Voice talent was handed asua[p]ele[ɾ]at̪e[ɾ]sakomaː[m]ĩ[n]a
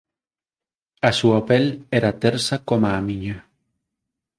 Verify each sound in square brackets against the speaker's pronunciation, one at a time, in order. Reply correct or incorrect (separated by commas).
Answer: correct, correct, correct, correct, incorrect